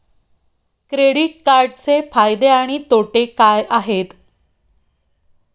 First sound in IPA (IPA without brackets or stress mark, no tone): k